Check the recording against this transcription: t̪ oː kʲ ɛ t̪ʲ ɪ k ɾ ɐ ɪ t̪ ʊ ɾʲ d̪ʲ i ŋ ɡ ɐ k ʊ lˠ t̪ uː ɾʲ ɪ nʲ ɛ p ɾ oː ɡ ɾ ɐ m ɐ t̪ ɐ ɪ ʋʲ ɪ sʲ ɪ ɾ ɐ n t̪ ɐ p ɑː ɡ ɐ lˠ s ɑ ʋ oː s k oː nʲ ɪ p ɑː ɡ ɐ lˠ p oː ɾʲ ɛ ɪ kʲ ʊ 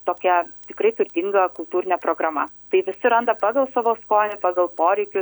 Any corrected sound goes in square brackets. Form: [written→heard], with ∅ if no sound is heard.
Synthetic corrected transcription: t̪ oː kʲ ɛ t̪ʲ ɪ k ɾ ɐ ɪ t̪ ʊ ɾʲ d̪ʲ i ŋ ɡ ɐ k ʊ lˠ t̪ uː ɾʲ ɪ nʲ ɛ p ɾ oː ɡ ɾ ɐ m ɐ t̪ ɐ ɪ ʋʲ ɪ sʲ ɪ ɾ ɐ n [t̪→d̪] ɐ p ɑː ɡ ɐ lˠ s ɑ ʋ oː s k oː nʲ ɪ p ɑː ɡ ɐ lˠ p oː ɾʲ ɛ ɪ kʲ ʊ